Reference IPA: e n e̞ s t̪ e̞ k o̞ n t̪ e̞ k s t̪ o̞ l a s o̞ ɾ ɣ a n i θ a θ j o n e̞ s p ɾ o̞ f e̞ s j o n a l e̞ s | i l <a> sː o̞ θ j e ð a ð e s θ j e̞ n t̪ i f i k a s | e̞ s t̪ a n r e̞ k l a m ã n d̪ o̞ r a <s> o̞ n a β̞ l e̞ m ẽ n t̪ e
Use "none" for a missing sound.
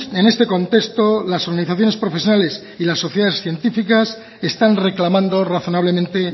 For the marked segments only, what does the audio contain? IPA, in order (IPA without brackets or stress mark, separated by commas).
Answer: a, θ